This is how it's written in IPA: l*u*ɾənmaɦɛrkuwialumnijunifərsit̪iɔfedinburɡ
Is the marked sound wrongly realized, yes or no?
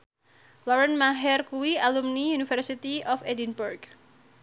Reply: yes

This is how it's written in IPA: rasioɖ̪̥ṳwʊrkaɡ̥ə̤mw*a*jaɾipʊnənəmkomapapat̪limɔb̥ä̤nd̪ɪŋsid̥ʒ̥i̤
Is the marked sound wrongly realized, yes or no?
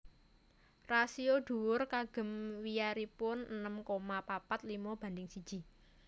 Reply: yes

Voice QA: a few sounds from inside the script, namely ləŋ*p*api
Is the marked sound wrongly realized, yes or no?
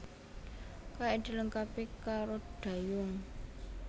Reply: yes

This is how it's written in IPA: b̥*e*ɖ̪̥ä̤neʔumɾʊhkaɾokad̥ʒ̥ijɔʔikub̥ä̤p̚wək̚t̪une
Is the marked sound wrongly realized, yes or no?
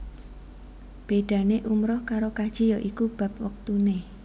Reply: no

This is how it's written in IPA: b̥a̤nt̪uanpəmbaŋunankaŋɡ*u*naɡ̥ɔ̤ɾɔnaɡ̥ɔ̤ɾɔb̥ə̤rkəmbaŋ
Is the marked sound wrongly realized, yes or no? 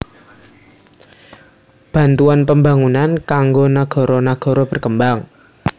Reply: yes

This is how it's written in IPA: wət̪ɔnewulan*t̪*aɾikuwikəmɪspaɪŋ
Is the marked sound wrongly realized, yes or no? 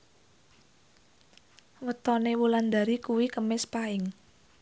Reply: yes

